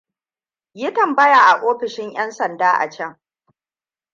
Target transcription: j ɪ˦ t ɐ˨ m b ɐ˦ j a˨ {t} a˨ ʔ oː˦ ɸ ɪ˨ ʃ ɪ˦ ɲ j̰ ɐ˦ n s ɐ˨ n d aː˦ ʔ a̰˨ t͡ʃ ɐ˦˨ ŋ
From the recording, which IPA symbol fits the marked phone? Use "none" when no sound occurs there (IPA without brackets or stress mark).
ʔ